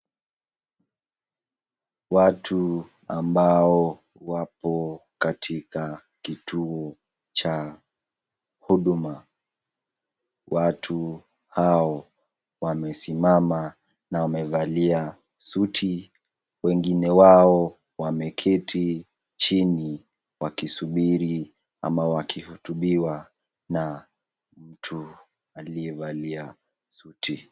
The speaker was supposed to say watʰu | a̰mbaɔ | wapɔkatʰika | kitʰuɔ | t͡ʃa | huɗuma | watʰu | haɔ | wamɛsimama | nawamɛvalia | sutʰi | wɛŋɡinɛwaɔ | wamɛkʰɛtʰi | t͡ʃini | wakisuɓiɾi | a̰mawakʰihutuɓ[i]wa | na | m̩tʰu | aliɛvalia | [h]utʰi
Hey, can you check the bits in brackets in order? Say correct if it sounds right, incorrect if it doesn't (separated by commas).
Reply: correct, incorrect